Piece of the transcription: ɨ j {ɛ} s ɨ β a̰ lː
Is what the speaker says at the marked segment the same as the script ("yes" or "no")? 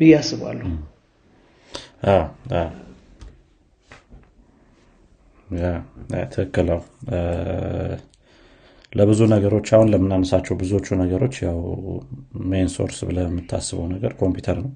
no